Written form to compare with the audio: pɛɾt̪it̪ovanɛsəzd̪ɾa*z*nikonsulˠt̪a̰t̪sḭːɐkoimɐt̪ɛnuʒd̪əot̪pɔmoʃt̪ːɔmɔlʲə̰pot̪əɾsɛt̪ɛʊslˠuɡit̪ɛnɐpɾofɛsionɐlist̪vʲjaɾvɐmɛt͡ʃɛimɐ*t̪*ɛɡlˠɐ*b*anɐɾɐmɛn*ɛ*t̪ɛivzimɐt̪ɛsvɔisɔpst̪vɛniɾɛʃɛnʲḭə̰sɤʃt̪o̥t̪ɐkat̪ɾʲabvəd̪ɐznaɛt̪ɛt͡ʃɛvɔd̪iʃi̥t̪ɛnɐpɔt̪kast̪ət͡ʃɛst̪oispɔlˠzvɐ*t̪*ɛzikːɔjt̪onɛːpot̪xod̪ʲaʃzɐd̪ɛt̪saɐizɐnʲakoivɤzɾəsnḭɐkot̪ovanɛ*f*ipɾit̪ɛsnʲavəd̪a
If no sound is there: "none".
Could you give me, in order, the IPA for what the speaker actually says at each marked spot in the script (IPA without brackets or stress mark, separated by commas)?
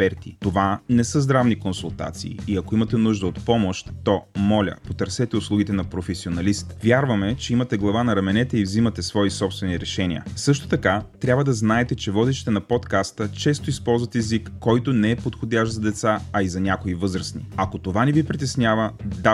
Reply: v, t̪, v, ɛ, t̪, v